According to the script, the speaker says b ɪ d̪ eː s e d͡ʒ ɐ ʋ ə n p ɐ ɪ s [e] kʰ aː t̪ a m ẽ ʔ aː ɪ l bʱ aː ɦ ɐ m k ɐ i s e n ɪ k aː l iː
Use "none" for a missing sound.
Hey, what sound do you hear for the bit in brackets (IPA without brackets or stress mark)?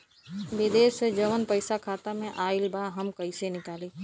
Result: a